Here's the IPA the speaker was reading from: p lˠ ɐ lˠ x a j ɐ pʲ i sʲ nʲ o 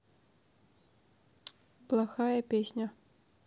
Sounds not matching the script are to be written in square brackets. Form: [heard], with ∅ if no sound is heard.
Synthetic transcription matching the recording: p lˠ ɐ [∅] x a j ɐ pʲ [e] sʲ nʲ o

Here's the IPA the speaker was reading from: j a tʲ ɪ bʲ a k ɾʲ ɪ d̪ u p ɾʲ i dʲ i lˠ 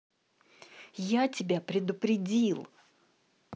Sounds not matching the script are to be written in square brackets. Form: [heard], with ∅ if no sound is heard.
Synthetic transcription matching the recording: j a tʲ ɪ bʲ a [p] ɾʲ ɪ d̪ [ʊ] p ɾʲ [ɪ] dʲ i lˠ

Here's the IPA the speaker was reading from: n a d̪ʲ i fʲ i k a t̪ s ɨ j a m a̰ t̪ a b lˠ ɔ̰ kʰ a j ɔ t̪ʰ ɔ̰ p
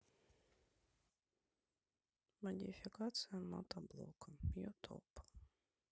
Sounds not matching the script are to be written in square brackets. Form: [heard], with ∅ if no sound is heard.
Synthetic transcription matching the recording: [m] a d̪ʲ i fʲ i k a t̪ s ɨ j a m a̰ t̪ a b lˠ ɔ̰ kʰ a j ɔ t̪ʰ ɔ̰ p

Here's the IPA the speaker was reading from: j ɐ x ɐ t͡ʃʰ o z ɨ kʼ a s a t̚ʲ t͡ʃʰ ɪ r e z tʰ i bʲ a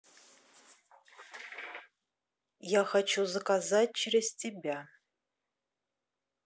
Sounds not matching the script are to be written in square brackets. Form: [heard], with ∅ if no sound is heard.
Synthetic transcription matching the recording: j [a] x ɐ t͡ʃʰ [u] z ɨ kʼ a [z] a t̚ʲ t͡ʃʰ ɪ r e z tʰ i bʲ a

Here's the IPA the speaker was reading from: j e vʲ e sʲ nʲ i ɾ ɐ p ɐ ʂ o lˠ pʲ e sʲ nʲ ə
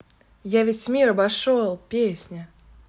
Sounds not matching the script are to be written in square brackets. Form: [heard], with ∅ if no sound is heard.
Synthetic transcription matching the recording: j [a] vʲ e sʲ [mʲ] i ɾ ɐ [b] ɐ ʂ o lˠ pʲ e sʲ nʲ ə

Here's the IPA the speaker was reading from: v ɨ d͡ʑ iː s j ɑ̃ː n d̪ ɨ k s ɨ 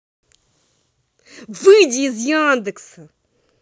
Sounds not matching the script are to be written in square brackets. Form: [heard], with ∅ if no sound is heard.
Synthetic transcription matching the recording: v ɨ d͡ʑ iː [z] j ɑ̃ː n d̪ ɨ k s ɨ

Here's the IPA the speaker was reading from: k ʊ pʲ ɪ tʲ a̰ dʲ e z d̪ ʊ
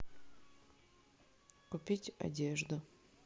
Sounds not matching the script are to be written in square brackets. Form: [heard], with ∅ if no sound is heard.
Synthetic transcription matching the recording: k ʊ pʲ [i] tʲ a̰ dʲ e [ʐ] d̪ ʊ

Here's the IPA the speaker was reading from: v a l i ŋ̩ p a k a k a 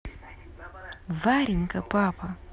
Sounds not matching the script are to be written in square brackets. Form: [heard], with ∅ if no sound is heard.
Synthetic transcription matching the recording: v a [ɾ] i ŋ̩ [k] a [p] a [p] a

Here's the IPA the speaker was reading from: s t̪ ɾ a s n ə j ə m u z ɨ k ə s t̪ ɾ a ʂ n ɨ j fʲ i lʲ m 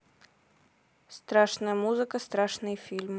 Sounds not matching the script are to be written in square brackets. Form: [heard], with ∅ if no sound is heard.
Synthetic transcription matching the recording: s t̪ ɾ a [ʂ] n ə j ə m u z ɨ k ə s t̪ ɾ a ʂ n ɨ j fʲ i lʲ m

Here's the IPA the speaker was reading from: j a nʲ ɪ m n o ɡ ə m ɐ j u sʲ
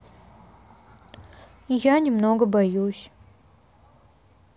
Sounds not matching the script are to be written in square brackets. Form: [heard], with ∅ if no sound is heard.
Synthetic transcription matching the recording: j a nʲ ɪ m n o ɡ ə [b] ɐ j u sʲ

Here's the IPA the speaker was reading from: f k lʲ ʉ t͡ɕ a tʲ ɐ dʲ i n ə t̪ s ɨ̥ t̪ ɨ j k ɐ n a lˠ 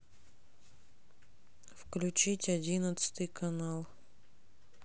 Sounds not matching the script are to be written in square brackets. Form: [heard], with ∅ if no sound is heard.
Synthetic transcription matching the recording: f k lʲ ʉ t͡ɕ [i] tʲ ɐ dʲ i n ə t̪ s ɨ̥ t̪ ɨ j k ɐ n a lˠ

